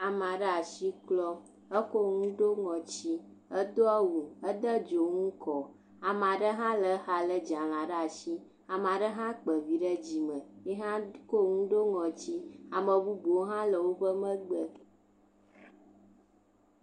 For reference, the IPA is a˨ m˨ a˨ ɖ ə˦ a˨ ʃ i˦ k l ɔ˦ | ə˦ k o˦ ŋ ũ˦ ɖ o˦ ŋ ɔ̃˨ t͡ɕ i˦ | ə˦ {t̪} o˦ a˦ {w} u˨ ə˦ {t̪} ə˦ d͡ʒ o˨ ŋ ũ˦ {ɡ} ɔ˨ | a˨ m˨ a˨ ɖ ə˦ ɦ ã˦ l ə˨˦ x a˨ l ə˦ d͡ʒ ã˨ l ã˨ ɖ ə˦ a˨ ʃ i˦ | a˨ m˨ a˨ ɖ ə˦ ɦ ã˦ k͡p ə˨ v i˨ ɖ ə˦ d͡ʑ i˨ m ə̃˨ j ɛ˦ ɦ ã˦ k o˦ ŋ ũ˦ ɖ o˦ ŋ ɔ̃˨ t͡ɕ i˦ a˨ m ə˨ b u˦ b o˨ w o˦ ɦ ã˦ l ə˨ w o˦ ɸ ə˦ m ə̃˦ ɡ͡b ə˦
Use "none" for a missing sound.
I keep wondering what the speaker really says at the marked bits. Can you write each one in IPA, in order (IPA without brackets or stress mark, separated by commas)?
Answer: d̪, w, d̪, k